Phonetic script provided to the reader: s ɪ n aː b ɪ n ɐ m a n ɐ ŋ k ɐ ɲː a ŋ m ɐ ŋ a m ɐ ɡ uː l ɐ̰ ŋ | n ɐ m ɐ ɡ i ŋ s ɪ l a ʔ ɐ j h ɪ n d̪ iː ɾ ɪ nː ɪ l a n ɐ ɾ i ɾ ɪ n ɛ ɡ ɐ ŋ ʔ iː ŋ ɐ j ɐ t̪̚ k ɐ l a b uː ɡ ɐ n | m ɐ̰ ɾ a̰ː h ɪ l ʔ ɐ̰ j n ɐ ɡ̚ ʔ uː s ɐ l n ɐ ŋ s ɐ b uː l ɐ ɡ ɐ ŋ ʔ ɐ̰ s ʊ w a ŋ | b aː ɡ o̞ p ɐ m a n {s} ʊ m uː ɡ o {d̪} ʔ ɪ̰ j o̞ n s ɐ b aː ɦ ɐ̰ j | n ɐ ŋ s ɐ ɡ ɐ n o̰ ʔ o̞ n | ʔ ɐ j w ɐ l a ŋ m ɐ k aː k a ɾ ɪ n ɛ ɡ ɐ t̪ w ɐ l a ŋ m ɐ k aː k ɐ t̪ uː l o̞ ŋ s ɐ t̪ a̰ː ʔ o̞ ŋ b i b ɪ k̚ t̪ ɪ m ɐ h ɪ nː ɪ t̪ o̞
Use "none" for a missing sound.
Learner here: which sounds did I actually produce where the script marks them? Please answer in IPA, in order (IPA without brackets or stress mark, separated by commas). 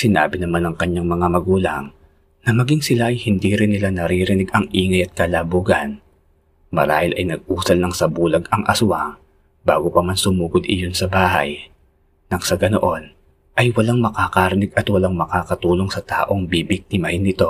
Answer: s, d̪